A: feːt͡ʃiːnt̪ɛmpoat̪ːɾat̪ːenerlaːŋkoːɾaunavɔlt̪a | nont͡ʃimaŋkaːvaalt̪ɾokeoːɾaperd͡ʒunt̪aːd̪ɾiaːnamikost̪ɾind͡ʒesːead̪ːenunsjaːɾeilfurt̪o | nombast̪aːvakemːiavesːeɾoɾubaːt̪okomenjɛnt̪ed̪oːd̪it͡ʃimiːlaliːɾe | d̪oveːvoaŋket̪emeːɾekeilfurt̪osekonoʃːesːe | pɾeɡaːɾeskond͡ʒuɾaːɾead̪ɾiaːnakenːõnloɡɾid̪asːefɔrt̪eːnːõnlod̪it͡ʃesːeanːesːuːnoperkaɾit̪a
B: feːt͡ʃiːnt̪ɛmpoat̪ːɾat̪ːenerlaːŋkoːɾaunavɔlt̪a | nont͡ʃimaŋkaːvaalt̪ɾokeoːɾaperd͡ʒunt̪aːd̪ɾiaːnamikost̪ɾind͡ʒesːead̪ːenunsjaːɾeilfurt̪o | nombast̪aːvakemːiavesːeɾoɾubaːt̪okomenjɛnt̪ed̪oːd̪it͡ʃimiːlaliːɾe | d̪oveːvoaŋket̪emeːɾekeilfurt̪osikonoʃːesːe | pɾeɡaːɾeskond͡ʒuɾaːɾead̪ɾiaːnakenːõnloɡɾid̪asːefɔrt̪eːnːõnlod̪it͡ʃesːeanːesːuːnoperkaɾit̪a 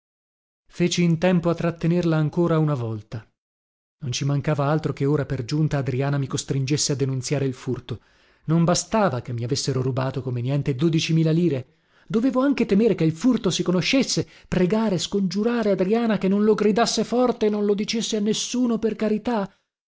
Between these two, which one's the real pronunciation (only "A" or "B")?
B